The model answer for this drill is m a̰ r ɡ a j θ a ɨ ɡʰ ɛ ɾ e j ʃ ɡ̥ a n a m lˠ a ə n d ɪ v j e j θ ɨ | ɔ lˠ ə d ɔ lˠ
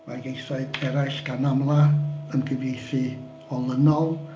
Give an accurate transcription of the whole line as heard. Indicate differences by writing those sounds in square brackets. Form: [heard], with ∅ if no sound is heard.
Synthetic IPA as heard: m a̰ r ɡ [e] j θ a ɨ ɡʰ ɛ ɾ [a] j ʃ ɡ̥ a n a m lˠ a ə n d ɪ v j e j θ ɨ | ɔ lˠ ə [n] ɔ lˠ